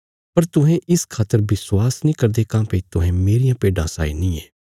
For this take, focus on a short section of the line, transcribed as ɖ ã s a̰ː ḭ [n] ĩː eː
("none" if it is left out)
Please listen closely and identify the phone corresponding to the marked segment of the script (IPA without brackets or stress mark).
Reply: n